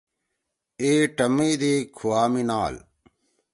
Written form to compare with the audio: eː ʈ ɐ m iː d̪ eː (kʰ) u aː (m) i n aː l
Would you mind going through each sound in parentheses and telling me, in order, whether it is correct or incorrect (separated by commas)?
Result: correct, correct